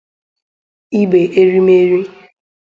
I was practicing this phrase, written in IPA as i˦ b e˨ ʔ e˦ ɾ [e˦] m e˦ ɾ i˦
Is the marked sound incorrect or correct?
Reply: incorrect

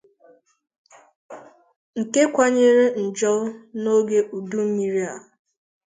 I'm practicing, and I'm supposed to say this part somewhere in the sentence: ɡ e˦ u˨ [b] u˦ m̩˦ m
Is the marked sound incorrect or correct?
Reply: incorrect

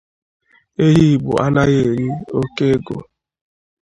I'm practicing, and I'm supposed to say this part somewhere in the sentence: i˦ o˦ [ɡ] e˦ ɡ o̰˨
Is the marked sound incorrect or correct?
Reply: incorrect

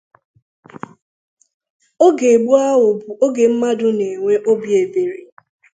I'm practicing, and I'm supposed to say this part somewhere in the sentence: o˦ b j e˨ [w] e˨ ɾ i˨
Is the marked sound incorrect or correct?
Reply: incorrect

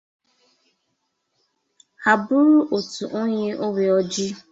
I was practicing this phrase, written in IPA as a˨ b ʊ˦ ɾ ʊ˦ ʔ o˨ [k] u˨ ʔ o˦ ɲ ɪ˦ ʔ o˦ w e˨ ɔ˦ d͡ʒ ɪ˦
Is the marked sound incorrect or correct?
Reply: incorrect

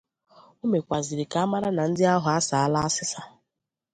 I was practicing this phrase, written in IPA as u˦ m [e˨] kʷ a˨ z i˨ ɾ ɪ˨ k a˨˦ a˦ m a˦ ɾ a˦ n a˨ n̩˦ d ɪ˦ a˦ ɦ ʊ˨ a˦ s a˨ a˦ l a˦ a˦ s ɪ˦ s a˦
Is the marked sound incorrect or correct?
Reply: correct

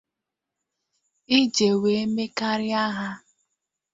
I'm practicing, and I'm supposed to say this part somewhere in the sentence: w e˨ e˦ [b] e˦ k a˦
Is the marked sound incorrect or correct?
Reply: incorrect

